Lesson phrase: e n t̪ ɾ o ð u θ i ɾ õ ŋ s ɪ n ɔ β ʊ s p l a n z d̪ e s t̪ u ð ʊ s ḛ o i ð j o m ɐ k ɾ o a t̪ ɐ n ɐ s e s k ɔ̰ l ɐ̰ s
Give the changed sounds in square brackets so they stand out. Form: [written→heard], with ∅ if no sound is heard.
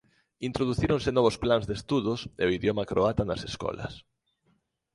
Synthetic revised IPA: [e→i] n t̪ ɾ o ð u θ i ɾ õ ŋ s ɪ n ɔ β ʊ s p l a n z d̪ e s t̪ u ð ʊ s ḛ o i ð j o m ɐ k ɾ o a t̪ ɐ n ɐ s e s k ɔ̰ l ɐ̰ s